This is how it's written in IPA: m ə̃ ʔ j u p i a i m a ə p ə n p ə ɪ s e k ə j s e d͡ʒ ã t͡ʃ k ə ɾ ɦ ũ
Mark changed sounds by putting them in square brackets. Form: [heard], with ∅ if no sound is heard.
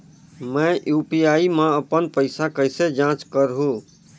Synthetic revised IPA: m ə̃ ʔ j u p i a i m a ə p ə n p ə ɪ s [a] k ə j s e d͡ʒ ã t͡ʃ k ə ɾ ɦ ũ